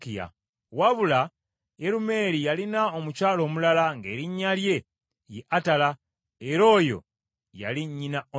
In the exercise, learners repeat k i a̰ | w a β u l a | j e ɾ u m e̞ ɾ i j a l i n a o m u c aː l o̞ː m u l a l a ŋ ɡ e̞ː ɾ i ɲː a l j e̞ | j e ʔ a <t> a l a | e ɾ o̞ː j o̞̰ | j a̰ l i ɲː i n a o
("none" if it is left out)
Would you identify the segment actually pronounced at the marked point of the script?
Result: t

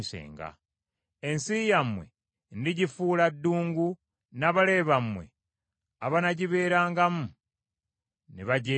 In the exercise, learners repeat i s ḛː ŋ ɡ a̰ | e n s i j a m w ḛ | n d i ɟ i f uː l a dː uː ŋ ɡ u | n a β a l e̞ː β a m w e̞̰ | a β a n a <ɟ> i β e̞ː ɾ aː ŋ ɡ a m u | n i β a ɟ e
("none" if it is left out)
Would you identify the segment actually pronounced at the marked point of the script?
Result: ɟ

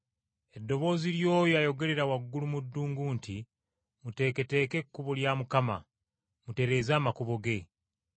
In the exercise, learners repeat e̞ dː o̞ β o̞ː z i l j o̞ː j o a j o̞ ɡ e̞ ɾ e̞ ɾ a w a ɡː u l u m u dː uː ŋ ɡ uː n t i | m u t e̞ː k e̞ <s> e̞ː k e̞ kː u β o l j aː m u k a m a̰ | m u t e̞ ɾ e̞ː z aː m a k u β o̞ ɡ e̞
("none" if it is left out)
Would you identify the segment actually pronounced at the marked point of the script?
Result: t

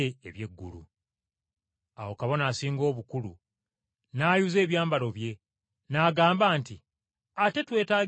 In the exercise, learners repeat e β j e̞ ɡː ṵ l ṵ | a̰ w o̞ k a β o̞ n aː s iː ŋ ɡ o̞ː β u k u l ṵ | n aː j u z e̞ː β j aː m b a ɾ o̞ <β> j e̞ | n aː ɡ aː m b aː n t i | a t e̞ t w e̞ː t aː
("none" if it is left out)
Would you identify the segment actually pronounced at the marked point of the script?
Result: β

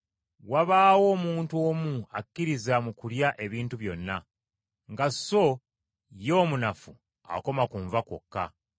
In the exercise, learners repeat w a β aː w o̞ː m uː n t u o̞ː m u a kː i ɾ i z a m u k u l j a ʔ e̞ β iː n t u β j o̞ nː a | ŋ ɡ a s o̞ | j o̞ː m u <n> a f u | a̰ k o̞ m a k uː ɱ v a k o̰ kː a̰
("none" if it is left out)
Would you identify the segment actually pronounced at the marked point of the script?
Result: n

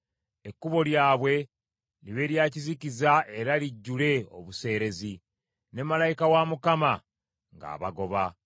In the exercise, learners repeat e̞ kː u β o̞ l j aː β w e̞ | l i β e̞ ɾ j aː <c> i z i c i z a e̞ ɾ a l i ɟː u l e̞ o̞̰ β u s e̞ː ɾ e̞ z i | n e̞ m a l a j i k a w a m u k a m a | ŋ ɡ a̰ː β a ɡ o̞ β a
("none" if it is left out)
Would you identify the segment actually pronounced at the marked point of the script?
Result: c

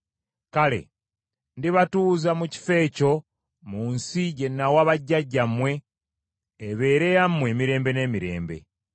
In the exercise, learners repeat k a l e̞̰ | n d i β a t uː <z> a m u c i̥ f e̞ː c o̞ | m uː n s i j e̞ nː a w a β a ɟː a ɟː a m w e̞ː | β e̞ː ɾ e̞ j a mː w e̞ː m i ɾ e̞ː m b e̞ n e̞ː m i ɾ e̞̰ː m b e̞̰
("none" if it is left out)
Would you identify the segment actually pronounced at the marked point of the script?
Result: z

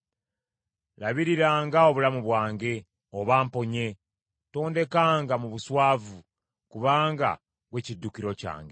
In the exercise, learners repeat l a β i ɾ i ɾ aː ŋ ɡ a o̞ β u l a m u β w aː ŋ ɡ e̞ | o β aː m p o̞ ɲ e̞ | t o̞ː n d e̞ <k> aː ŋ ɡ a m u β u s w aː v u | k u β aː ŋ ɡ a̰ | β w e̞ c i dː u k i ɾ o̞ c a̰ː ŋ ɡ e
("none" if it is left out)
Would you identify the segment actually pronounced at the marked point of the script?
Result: k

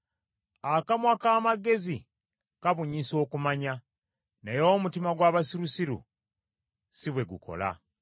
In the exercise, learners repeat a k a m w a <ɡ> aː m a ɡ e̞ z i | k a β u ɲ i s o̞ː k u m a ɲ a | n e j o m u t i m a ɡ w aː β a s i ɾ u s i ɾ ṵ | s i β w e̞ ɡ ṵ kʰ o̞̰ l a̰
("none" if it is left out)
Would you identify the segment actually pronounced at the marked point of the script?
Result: k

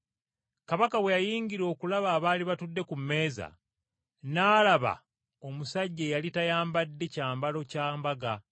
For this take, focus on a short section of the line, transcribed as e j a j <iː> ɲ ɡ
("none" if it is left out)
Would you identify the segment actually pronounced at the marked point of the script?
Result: iː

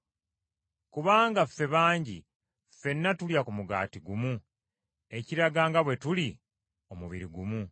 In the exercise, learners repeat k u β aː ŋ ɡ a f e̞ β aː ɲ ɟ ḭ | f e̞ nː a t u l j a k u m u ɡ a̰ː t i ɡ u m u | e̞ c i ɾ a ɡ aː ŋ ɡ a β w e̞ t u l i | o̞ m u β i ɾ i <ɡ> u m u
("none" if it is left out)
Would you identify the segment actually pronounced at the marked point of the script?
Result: ɡ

